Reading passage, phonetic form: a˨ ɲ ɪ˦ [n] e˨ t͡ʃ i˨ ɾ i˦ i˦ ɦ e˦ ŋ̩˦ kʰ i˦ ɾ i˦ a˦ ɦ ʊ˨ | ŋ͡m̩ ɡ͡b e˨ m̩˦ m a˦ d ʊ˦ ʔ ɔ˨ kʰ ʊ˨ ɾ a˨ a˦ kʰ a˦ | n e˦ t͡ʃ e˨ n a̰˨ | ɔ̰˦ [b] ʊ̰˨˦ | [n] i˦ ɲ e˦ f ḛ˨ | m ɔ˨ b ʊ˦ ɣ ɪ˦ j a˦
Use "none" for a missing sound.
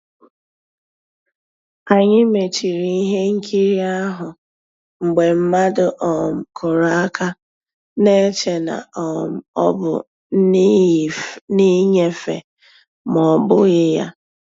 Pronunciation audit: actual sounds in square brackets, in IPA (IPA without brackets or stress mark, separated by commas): m, b, n